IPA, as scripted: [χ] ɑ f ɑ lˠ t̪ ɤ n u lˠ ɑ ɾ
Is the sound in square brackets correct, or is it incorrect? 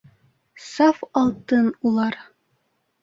incorrect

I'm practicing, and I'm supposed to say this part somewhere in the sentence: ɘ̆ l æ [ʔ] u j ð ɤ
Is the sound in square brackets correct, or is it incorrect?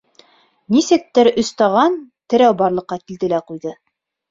incorrect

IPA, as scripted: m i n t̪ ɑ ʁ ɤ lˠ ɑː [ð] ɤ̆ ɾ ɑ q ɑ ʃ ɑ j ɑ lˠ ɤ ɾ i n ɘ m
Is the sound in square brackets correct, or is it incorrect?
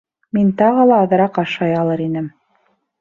correct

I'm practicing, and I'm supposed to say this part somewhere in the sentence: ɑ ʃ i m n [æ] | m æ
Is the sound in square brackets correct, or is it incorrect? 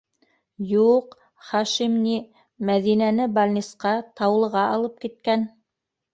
incorrect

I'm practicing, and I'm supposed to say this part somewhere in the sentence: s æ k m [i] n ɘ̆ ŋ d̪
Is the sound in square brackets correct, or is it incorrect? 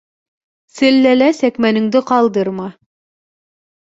incorrect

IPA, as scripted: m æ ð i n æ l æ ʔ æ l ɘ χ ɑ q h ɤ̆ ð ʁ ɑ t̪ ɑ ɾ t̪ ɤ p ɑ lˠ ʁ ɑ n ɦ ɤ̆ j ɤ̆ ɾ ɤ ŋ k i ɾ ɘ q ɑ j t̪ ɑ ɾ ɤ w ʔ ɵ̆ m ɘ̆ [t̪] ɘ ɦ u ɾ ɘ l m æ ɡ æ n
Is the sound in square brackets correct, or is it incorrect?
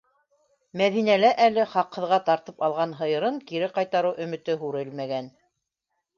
correct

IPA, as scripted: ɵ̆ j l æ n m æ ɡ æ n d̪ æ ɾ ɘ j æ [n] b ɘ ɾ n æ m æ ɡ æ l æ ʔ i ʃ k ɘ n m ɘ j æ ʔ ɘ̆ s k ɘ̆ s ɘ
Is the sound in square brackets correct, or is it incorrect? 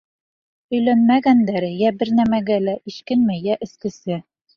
incorrect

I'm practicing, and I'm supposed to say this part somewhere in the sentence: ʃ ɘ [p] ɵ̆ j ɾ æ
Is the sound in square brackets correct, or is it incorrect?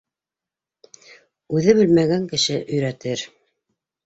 incorrect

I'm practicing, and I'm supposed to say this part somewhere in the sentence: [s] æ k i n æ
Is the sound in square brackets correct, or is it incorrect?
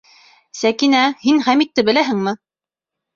correct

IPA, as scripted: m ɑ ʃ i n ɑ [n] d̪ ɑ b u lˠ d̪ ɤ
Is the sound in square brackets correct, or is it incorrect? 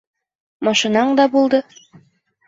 incorrect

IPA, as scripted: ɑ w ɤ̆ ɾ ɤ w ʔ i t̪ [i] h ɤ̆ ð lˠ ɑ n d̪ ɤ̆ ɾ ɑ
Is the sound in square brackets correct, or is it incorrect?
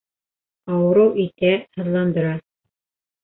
incorrect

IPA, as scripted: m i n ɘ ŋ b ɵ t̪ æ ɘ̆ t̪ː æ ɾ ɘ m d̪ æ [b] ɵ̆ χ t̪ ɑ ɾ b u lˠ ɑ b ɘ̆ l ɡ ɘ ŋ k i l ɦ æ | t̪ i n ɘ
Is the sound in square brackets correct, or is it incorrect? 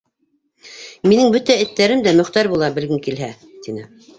incorrect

